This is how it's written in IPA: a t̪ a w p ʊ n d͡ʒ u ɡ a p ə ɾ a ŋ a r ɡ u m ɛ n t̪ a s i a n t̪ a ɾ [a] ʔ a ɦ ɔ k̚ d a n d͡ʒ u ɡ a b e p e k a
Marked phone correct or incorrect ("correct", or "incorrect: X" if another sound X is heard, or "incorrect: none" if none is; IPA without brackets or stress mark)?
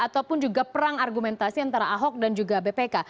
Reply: correct